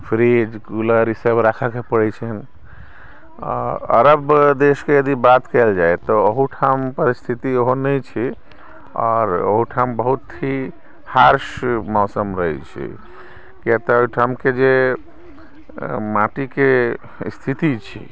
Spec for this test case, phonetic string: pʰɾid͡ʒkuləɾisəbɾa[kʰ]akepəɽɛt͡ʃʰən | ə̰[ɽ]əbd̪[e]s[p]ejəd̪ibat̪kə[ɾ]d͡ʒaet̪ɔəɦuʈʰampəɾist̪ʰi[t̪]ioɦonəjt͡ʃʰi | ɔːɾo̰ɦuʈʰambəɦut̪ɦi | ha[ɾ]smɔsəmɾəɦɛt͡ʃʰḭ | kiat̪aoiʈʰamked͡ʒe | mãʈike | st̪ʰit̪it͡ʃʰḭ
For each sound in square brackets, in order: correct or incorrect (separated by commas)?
correct, incorrect, correct, incorrect, incorrect, correct, correct